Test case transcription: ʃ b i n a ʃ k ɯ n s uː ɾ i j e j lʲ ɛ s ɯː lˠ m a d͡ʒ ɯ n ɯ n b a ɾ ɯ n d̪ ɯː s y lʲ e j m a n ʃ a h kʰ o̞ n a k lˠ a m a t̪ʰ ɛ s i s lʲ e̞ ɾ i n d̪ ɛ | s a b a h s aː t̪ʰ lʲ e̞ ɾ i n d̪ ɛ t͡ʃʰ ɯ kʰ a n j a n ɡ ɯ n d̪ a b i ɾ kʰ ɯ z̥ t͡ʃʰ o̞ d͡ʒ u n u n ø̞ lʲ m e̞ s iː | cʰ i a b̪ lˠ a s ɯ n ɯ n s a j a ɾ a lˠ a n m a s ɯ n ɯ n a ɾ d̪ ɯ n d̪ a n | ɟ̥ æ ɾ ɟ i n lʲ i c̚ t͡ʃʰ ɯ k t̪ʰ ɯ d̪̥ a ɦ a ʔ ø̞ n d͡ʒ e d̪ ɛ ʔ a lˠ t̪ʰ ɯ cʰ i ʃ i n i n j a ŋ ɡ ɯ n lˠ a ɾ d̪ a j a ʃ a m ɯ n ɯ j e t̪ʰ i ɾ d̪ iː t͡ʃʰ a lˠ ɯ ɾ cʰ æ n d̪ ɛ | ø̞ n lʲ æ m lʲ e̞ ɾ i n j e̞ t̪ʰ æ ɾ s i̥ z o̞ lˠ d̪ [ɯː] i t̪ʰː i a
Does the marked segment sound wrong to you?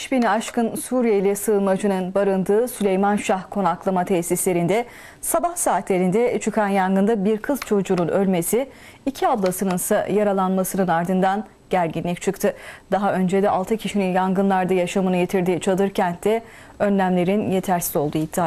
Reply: yes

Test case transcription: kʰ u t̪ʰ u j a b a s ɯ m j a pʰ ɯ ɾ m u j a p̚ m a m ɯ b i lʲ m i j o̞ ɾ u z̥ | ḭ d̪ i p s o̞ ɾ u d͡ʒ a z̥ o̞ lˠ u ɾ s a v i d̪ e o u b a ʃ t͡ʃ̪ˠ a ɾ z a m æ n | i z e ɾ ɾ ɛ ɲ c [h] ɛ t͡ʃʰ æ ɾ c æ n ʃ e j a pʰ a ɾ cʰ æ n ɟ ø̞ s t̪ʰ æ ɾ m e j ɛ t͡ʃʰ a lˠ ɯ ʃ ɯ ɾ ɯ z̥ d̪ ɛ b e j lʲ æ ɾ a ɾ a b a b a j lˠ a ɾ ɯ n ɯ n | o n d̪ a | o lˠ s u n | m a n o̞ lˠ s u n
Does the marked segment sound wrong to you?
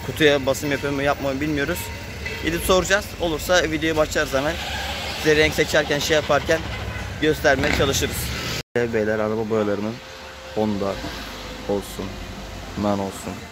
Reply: yes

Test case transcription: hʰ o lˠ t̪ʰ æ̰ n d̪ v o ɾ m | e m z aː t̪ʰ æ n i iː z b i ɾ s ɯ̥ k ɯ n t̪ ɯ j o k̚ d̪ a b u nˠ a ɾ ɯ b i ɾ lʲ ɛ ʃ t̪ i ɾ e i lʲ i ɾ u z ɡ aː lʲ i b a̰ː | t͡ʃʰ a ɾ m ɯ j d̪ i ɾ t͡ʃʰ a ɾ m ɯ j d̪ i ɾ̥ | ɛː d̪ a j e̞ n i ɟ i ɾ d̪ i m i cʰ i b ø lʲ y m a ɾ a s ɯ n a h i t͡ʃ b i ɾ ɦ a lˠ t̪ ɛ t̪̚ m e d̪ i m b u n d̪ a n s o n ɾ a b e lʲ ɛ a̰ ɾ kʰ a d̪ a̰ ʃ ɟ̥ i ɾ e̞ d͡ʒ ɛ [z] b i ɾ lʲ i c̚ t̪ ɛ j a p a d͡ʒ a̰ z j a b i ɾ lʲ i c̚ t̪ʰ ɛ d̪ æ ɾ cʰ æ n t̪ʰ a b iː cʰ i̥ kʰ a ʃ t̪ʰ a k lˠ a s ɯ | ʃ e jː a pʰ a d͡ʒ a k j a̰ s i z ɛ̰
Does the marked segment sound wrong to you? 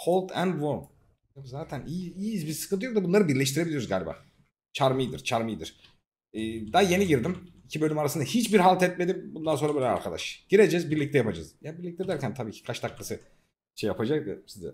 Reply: no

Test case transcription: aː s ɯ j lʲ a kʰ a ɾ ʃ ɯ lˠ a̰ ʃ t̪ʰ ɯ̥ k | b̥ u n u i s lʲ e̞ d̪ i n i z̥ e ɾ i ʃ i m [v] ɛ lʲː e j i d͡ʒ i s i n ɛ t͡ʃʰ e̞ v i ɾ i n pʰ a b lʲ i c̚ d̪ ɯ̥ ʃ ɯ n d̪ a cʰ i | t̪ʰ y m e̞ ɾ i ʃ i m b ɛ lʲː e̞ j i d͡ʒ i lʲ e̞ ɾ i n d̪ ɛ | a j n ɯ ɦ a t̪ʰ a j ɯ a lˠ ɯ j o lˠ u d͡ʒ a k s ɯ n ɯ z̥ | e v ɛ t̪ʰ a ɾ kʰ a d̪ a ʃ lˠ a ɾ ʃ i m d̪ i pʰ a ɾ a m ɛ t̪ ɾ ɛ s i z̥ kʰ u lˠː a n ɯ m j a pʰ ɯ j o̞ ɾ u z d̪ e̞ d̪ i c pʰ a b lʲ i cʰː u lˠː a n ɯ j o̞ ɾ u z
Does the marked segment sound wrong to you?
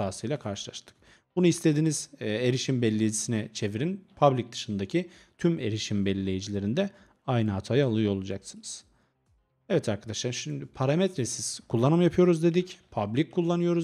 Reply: yes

